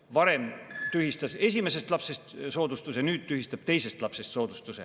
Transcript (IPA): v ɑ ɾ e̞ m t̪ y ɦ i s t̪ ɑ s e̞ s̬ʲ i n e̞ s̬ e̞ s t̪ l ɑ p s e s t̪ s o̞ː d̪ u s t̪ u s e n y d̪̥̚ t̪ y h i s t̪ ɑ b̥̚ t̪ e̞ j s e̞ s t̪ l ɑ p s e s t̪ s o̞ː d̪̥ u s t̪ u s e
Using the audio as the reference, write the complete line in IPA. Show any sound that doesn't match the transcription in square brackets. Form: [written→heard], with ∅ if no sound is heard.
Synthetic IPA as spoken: v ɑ ɾ e̞ m t̪ y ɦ i s t̪ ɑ s e̞ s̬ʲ i [n→m] e̞ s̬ e̞ s t̪ l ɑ p s e s t̪ s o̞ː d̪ u s t̪ u s e n [y→yː] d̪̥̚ t̪ y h i s t̪ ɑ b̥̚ t̪ e̞ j s e̞ s t̪ l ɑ p s e s t̪ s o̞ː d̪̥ u s t̪ u s e